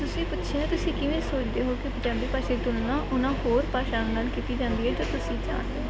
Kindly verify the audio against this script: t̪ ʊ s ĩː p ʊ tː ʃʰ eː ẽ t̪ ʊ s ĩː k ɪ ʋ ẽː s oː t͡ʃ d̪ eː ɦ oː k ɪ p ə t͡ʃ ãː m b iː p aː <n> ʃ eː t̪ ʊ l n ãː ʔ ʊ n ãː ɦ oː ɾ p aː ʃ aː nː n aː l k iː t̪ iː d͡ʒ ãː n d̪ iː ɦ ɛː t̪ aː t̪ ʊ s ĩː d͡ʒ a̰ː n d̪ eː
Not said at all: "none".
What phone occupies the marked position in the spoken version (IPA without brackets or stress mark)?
none